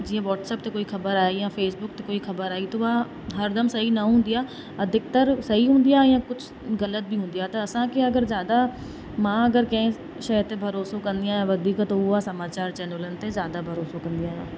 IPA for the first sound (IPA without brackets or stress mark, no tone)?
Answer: d͡ʒ